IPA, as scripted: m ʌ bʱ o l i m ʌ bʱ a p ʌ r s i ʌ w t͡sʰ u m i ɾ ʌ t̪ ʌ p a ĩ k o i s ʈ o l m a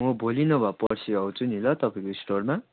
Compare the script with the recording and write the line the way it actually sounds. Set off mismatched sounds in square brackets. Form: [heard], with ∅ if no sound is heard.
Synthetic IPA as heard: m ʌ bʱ o l i [n] ʌ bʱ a p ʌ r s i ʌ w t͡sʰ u [n] i [l] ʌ t̪ ʌ p a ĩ k o i s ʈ o [r] m a